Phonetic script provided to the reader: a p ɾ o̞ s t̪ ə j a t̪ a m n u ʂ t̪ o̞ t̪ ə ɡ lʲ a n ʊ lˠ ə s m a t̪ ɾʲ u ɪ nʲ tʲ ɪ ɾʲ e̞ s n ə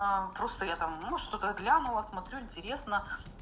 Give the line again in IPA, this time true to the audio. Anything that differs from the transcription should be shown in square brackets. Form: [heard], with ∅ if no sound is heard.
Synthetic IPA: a p ɾ o̞ s t̪ ə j a t̪ a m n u ʂ t̪ o̞ t̪ ə ɡ lʲ a n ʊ lˠ ə s m [ɐ] t̪ ɾʲ u ɪ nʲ tʲ ɪ ɾʲ e̞ s n ə